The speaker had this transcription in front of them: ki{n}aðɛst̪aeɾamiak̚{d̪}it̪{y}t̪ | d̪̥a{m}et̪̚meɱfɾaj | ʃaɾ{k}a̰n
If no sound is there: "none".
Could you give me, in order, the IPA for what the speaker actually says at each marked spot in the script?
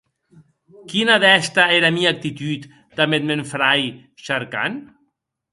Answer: n, t̪, y, m, k

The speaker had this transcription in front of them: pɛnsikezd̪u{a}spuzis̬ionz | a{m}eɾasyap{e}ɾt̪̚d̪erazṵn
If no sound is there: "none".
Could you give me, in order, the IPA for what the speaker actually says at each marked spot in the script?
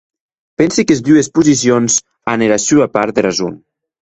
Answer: e, n, a

